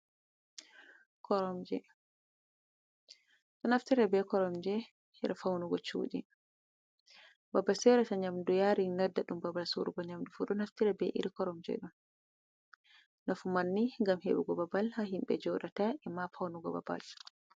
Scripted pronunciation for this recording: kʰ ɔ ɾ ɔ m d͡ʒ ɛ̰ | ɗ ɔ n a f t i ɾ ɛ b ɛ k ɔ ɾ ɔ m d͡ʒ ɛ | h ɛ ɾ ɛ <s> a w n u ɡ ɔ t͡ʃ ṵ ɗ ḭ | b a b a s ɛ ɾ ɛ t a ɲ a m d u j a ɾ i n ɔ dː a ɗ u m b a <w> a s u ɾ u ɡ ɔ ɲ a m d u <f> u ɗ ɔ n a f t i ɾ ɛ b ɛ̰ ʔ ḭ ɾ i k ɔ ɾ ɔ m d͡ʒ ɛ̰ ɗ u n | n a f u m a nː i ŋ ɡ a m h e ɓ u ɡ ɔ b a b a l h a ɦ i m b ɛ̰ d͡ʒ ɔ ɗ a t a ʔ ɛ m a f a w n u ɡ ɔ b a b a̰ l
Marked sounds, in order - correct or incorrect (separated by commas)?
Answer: incorrect, incorrect, correct